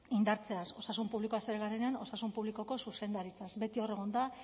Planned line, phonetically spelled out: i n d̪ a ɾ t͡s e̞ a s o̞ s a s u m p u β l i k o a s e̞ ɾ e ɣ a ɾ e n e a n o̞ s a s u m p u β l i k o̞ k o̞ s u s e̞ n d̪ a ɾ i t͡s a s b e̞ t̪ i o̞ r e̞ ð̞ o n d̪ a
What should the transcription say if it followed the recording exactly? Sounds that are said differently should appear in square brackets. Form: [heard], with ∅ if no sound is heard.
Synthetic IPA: i n d̪ a ɾ t͡s e̞ a s o̞ s a s u m p u β l i k o a s e̞ ɾ e ɣ a ɾ e n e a n o̞ s a s u m p u β l i k o̞ k o̞ s u s e̞ n d̪ a ɾ i t͡s a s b e̞ t̪ i o̞ r e̞ [ɣ̞] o n d̪ a